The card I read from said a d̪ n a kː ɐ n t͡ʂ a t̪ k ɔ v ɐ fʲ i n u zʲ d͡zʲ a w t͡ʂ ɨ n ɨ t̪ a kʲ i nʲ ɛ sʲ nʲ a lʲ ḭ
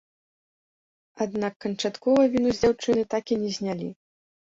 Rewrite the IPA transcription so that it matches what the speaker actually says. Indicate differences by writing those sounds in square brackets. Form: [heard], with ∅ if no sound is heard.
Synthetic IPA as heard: a d̪ n a kː ɐ n t͡ʂ a t̪ k ɔ v ɐ [vʲ] i n u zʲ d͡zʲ a w t͡ʂ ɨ n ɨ t̪ a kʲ i nʲ ɛ [zʲ] nʲ a lʲ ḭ